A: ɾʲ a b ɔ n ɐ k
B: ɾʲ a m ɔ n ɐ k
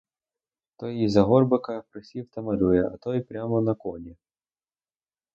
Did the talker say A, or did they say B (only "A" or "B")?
B